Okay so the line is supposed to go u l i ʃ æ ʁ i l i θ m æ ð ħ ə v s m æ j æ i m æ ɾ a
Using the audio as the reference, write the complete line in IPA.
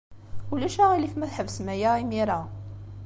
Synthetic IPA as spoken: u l æ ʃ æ ʁ i l i f m æ θ ħ ə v s m æ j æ i m i ɾ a